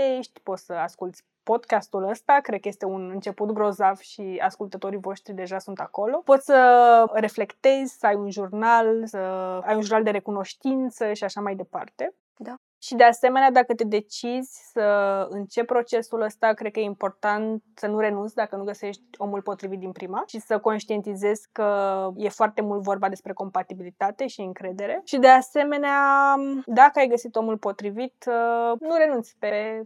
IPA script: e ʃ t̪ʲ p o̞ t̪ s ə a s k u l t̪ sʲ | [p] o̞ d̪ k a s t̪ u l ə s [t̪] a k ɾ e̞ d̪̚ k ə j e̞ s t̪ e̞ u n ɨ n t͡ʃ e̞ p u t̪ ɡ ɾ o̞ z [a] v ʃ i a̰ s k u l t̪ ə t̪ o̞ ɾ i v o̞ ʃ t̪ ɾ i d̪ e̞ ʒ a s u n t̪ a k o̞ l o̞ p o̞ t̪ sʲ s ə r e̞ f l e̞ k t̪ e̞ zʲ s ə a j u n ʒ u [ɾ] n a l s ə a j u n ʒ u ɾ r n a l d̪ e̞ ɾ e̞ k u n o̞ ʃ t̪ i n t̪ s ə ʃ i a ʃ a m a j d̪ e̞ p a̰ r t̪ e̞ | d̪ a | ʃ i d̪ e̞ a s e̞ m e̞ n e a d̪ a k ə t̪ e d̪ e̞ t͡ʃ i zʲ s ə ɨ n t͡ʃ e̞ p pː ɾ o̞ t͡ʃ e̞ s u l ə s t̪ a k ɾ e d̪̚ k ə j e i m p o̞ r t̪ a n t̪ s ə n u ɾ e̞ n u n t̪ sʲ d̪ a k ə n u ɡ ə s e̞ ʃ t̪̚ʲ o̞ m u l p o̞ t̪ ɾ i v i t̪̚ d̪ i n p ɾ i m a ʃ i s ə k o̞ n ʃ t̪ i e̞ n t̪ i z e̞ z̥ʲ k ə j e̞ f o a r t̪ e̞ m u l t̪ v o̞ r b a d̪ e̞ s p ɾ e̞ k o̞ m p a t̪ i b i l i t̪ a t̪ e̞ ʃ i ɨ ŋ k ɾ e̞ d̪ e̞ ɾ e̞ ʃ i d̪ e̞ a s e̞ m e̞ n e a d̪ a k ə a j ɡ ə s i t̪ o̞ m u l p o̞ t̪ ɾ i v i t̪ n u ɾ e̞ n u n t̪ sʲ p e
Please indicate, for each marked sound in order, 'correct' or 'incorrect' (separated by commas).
correct, correct, correct, incorrect